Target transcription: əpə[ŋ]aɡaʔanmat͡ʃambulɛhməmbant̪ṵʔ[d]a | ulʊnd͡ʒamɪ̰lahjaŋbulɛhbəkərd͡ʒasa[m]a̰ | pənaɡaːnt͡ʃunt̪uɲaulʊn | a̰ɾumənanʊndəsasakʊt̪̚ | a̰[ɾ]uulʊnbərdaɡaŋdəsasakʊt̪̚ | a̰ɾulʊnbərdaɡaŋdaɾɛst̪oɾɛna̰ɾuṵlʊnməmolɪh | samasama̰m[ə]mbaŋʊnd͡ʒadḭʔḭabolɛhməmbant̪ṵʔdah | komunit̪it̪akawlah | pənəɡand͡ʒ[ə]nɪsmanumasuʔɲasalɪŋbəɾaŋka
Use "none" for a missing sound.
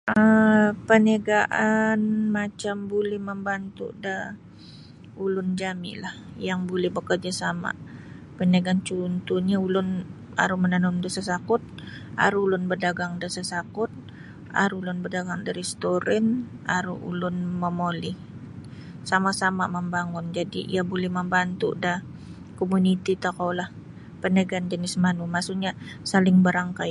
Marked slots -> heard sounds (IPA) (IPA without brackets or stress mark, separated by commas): n, d, m, ɾ, ə, ə